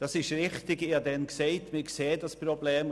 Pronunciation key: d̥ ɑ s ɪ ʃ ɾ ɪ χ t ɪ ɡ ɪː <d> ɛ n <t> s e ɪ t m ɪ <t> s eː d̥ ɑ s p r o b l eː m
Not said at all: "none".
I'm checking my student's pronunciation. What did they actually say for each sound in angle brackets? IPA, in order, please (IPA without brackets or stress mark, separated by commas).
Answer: d, k, k